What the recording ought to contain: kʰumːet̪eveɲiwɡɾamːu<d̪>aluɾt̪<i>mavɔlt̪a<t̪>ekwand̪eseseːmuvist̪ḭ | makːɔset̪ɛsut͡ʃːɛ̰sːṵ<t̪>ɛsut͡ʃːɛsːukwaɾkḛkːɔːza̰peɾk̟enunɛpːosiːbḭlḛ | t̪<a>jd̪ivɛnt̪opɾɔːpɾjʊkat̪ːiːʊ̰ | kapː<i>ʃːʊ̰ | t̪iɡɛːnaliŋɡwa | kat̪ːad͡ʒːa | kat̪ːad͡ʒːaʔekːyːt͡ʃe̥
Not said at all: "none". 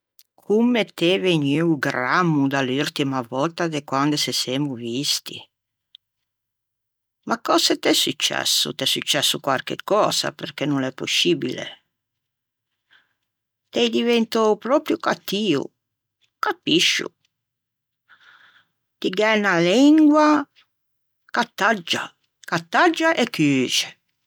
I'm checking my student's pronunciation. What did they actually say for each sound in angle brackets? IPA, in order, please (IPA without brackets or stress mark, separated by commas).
d̪, i, d̪, t̪, ɛ, i